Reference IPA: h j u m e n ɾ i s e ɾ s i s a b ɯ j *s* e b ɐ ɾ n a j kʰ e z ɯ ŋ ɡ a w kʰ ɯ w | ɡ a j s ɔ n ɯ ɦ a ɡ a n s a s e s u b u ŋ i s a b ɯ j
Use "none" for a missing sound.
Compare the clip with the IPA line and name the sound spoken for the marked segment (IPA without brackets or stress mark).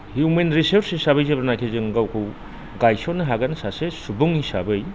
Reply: z